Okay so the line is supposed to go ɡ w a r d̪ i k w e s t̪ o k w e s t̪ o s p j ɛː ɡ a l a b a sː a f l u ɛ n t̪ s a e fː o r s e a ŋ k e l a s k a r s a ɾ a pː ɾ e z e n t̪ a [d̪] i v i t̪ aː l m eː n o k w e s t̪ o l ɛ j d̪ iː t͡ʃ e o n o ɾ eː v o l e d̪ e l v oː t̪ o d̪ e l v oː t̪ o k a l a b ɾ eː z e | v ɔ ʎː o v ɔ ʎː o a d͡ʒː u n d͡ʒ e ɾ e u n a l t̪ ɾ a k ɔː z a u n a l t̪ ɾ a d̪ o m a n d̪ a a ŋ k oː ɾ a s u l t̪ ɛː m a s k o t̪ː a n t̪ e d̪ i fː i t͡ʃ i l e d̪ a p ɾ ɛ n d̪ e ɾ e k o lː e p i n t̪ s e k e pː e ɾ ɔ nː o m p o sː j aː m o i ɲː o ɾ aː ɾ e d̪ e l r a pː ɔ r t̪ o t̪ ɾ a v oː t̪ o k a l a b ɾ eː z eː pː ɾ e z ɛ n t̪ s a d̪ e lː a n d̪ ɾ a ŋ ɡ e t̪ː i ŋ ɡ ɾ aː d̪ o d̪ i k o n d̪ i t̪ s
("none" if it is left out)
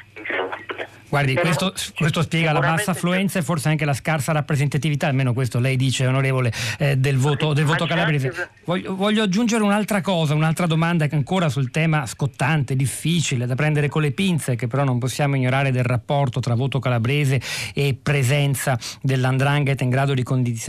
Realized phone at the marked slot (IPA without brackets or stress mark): t̪